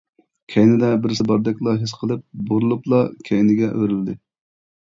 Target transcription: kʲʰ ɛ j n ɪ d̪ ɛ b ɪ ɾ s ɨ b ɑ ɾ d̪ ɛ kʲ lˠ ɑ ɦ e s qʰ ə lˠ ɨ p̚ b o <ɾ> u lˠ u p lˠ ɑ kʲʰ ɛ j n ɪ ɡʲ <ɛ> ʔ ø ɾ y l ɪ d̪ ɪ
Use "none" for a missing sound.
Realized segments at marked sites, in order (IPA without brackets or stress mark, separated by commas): ɾ, ɛ